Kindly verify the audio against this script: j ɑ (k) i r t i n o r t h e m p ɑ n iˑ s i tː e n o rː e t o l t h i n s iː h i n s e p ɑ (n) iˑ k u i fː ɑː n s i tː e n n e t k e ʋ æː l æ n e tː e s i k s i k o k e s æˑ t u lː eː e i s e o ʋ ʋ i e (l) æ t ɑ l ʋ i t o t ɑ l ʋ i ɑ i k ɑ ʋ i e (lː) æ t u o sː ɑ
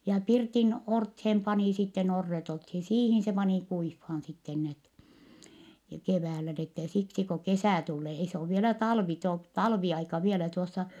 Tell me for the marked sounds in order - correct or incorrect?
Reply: incorrect: p, correct, correct, incorrect: l

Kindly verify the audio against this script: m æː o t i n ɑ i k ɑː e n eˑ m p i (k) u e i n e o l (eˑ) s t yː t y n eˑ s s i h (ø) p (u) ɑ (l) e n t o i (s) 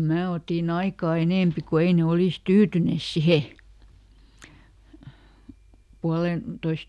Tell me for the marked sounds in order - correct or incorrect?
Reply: correct, incorrect: iˑ, incorrect: e, correct, correct, correct

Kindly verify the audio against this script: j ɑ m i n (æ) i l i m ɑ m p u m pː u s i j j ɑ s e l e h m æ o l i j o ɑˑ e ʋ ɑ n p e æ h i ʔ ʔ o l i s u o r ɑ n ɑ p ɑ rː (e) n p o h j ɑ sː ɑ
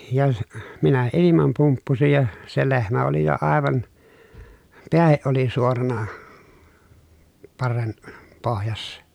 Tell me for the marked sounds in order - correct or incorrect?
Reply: correct, correct

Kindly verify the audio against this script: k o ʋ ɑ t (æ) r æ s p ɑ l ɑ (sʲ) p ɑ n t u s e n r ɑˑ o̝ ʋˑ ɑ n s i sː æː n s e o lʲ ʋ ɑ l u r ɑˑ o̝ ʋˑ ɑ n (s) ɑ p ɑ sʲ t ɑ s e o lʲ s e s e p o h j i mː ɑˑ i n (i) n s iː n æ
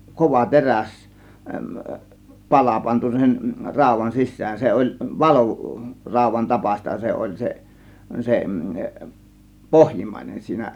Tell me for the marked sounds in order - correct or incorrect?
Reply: incorrect: e, incorrect: none, incorrect: t, incorrect: e

